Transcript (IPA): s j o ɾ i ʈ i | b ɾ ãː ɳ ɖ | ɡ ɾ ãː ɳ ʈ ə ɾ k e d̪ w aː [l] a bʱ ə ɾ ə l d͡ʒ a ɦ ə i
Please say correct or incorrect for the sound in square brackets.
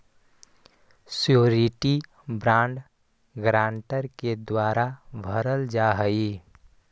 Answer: incorrect